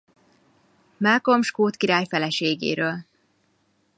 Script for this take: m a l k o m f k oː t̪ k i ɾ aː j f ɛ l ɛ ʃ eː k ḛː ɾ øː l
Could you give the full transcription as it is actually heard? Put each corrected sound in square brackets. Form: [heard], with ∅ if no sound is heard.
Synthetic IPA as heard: m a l k o m [ʃ] k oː t̪ k i ɾ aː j f ɛ l ɛ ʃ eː [ɡ] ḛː ɾ øː l